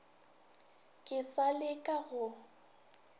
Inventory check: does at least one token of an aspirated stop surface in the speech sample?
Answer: no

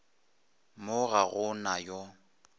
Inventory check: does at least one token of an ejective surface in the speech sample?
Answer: no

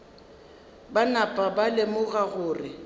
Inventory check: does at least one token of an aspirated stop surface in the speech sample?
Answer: no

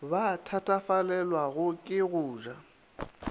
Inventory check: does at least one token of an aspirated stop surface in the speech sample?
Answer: yes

